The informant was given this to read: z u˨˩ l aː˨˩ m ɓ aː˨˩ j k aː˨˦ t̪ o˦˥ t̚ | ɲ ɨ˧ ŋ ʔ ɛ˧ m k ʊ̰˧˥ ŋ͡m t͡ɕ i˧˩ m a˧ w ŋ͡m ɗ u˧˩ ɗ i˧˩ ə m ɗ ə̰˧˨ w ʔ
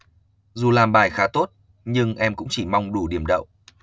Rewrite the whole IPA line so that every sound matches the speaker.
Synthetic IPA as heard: z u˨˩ l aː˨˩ m ɓ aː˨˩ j x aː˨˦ t̪ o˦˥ t̚ | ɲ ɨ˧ ŋ ʔ ɛ˧ m k ʊ̰˧˥ ŋ͡m t͡ɕ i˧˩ m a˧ w ŋ͡m ɗ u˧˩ ɗ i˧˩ ə m ɗ ə̰˧˨ w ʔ